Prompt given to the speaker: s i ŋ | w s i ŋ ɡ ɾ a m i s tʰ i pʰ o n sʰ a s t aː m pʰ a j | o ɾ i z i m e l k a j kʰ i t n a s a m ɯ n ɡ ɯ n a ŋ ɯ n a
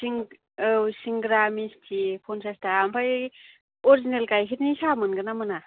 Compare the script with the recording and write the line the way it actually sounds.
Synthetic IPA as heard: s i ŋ | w s i ŋ ɡ ɾ a m i s tʰ i pʰ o n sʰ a s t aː m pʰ a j | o ɾ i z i n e l k a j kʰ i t n i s a m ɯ n ɡ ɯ n a m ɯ n a